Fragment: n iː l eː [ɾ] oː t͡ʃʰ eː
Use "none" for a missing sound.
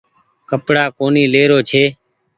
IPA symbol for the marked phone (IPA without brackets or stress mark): ɾ